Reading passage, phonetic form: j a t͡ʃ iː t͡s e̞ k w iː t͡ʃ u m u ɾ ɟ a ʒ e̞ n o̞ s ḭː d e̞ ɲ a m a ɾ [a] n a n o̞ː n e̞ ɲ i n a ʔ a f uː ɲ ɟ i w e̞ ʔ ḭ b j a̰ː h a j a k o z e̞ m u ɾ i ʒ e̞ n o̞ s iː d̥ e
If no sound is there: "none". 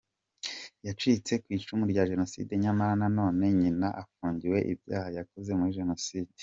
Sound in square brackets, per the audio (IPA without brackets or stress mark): a